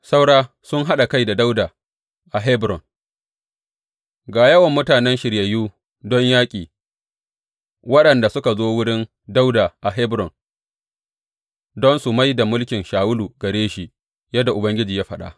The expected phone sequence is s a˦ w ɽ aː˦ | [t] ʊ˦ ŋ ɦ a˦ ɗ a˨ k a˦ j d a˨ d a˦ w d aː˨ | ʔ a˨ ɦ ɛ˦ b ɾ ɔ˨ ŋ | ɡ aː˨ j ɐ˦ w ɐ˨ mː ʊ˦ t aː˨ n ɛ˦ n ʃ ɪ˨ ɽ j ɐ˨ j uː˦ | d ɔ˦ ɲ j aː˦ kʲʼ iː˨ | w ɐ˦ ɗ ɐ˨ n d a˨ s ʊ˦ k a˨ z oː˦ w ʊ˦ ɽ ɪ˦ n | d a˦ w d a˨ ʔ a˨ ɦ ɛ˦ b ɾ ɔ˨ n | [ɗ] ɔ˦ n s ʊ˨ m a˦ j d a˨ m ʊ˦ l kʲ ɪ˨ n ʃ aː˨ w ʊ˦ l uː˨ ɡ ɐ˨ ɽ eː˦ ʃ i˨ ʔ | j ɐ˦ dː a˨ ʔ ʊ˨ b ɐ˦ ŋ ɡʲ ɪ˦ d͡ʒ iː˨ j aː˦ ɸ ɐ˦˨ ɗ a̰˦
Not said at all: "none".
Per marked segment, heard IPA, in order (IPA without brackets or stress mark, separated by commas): s, d